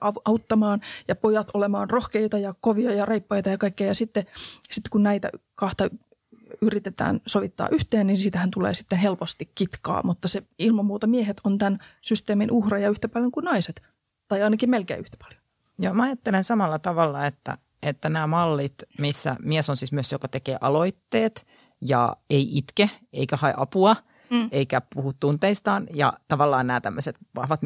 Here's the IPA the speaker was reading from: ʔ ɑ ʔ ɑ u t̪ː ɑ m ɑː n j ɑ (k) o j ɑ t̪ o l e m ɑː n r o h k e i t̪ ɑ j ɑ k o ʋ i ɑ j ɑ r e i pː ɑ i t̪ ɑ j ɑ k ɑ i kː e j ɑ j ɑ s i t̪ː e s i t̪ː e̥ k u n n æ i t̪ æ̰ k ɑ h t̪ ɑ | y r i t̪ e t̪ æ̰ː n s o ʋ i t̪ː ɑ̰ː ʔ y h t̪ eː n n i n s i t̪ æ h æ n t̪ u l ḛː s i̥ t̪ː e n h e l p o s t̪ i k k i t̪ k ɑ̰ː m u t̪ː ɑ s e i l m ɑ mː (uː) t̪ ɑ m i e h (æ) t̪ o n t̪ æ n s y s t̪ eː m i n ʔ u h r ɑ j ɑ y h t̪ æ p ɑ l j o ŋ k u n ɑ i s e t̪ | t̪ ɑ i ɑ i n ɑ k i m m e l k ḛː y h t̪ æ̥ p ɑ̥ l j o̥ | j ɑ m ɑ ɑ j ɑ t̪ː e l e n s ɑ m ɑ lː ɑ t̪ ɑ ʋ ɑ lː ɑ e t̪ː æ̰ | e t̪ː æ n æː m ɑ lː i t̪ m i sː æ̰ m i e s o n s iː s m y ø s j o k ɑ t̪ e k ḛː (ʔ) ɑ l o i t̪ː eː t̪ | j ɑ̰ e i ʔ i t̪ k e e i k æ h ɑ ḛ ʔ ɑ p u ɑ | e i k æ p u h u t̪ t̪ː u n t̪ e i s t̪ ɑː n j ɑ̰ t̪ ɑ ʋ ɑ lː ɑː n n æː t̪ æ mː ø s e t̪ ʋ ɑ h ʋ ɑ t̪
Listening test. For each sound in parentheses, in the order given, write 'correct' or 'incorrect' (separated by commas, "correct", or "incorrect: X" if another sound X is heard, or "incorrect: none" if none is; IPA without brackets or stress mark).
incorrect: p, correct, incorrect: e, correct